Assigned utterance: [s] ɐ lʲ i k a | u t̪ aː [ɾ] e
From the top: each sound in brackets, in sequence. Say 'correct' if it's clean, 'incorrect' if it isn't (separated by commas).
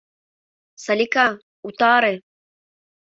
correct, correct